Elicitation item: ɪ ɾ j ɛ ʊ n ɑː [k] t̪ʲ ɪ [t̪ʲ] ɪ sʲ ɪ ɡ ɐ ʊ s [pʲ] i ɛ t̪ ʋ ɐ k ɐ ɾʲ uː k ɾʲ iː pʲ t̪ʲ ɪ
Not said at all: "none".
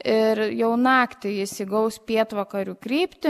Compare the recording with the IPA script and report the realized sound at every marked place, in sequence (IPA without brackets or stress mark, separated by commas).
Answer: k, none, pʲ